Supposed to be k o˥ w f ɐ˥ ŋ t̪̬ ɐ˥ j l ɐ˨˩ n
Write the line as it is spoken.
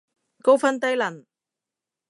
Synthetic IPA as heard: k o˥ w f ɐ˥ n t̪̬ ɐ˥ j l ɐ˨˩ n